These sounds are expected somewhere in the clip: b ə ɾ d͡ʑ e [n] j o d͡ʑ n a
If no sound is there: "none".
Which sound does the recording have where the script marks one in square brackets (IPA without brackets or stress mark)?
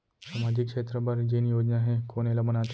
n